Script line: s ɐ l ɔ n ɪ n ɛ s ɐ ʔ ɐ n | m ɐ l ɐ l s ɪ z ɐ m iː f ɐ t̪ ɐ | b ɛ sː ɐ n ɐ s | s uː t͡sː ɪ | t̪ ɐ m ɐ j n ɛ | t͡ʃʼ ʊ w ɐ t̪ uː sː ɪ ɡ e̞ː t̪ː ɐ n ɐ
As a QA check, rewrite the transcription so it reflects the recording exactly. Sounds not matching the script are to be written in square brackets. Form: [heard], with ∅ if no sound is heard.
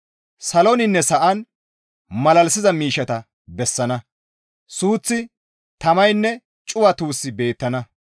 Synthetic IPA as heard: s ɐ l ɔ n ɪ [nː] ɛ s ɐ ʔ ɐ n | m ɐ l ɐ l s ɪ z ɐ m iː [ʃ] ɐ t̪ ɐ | b ɛ sː ɐ n ɐ [∅] | s uː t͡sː ɪ | t̪ ɐ m ɐ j [nː] ɛ | t͡ʃʼ ʊ w ɐ t̪ uː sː ɪ [b] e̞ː t̪ː ɐ n ɐ